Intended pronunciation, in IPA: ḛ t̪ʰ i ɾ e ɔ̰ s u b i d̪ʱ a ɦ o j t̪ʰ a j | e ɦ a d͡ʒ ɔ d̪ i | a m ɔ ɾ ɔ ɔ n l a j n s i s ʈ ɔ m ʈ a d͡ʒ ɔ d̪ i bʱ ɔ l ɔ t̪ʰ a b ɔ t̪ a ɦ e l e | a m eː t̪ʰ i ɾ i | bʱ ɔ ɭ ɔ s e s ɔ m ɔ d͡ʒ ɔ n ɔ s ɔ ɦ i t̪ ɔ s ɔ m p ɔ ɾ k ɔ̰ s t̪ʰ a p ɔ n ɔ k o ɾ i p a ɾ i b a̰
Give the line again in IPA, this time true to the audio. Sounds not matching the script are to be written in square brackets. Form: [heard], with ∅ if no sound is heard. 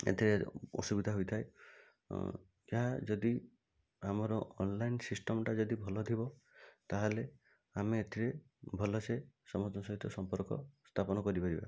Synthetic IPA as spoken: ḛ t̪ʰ i ɾ e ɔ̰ s u b i d̪ʱ a ɦ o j t̪ʰ a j | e ɦ a d͡ʒ ɔ d̪ i | a m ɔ ɾ ɔ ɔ n l a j n s i s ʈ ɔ m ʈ a d͡ʒ ɔ d̪ i bʱ ɔ l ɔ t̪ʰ [i] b ɔ t̪ a ɦ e l e | a m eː t̪ʰ i ɾ [e] | bʱ ɔ [l] ɔ s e s ɔ m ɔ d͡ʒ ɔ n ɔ s ɔ ɦ i t̪ ɔ s ɔ m p ɔ ɾ k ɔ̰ s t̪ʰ a p ɔ n ɔ k [ɔ] ɾ i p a ɾ i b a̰